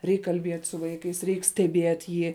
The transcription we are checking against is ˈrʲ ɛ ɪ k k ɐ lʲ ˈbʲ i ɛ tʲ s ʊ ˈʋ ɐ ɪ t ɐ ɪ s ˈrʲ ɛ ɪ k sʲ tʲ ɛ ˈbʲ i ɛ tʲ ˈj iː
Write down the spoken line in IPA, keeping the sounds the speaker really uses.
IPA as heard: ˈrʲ ɛ ɪ k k ɐ lʲ ˈbʲ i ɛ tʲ s ʊ ˈʋ ɐ ɪ k ɐ ɪ s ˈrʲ ɛ ɪ k sʲ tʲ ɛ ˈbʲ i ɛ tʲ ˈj iː